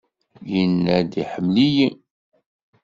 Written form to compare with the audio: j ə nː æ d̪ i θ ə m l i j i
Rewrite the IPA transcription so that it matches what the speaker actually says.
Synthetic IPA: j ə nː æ d̪ i ħ ə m l i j i